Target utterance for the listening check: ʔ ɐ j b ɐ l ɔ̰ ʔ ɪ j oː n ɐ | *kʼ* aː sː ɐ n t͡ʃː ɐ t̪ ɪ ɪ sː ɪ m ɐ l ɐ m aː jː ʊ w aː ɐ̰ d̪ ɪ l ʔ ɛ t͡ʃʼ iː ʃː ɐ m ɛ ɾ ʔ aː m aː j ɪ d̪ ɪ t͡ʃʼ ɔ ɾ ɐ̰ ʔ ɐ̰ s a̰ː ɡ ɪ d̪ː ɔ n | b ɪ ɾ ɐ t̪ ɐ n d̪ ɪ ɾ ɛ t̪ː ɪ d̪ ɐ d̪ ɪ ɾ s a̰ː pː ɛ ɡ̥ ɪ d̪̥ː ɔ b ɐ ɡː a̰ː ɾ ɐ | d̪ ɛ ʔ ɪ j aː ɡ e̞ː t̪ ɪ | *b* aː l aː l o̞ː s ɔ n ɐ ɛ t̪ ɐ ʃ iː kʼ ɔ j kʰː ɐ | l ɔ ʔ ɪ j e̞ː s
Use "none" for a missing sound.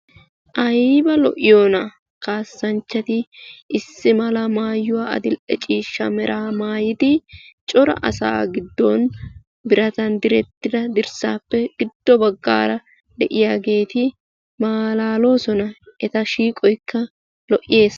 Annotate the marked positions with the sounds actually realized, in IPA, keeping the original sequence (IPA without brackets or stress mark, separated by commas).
k, m